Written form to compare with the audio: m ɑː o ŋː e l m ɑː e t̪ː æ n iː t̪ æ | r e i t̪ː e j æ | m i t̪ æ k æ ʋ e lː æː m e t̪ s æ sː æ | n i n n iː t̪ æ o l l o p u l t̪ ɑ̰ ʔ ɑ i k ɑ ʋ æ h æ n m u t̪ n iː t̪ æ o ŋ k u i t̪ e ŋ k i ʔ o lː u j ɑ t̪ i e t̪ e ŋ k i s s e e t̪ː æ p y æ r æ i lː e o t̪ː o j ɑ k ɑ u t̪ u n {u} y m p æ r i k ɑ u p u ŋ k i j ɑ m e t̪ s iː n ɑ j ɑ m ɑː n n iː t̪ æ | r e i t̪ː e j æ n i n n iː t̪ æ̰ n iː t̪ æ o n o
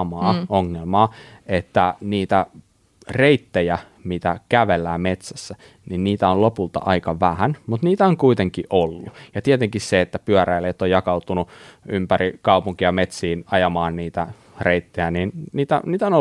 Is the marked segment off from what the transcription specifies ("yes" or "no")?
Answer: no